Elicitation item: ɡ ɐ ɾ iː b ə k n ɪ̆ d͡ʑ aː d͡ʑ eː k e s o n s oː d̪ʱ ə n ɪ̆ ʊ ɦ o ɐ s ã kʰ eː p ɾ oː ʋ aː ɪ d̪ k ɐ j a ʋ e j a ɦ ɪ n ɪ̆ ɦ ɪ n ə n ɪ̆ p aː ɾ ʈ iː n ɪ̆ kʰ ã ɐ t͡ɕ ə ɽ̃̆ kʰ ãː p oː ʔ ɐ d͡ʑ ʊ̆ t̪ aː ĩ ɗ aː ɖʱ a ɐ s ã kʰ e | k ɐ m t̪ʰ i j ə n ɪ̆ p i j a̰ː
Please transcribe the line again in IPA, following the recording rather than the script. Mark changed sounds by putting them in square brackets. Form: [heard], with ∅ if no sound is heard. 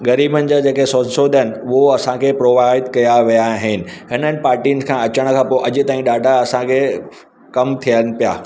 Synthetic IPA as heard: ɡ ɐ ɾ iː b ə [∅] n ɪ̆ d͡ʑ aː d͡ʑ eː k e s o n s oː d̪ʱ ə n ɪ̆ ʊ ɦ o ɐ s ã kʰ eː p ɾ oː ʋ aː ɪ d̪ k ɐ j a ʋ [i] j a ɦ ɪ n ɪ̆ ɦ ɪ n ə n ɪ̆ p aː ɾ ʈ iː n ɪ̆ kʰ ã ɐ t͡ɕ ə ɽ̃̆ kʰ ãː p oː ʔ ɐ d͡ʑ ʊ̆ t̪ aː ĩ ɗ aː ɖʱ a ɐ s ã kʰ e | k ɐ m t̪ʰ i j ə n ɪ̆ p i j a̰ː